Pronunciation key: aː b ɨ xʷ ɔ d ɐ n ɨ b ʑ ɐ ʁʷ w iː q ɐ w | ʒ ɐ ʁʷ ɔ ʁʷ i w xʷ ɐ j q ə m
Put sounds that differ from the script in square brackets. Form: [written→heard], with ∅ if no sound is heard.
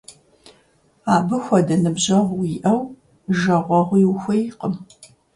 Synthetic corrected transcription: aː b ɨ xʷ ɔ d ɐ n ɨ b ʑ ɐ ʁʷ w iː [q→ʔ] ɐ w | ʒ ɐ ʁʷ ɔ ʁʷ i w xʷ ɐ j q ə m